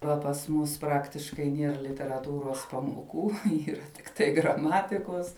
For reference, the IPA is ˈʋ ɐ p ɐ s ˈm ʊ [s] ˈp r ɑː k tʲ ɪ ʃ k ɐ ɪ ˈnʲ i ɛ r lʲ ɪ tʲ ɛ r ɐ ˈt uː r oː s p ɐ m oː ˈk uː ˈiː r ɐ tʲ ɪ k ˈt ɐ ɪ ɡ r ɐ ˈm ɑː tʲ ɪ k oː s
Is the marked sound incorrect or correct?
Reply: correct